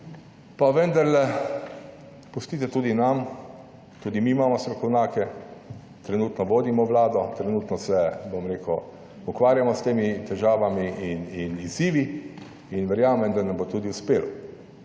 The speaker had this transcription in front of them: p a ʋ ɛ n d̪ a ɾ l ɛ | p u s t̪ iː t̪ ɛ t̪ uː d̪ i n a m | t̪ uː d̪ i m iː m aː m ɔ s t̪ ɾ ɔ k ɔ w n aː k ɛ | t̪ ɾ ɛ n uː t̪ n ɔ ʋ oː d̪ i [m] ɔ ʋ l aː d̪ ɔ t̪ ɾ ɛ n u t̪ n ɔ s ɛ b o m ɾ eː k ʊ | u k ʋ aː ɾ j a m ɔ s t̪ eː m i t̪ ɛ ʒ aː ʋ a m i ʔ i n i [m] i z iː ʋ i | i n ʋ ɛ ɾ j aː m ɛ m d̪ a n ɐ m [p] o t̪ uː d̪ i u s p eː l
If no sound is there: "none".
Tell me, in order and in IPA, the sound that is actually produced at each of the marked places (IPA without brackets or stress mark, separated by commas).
m, n, b